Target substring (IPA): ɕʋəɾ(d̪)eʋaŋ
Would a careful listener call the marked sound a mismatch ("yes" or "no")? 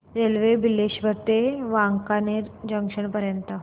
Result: yes